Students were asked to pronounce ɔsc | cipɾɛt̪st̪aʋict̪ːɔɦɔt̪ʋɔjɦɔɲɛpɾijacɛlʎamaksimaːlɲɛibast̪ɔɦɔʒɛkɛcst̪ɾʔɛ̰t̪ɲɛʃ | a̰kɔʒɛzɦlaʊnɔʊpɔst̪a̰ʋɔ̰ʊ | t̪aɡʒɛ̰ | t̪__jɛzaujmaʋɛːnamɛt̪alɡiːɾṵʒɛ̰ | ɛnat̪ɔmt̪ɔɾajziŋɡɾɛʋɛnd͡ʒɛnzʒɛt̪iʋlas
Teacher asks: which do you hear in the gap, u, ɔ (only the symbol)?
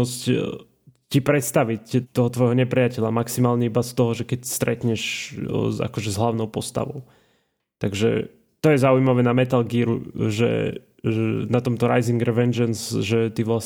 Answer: ɔ